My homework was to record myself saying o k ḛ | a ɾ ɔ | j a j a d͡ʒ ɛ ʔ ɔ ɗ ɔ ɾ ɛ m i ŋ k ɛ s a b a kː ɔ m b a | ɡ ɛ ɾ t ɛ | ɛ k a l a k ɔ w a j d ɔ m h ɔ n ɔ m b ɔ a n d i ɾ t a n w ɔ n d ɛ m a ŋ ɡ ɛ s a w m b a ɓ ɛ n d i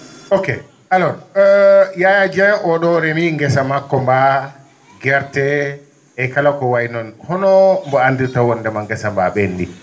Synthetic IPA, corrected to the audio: o k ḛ | a l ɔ | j a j a d͡ʒ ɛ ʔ ɔ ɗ ɔ ɾ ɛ m i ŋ ɡ ɛ s a m a kː ɔ m b a | ɡ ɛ ɾ t ɛ | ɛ k a l a k ɔ w a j n ɔ n h ɔ n ɔ m b ɔ a n d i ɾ t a w ɔ n d ɛ m a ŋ ɡ ɛ s a m b a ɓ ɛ n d i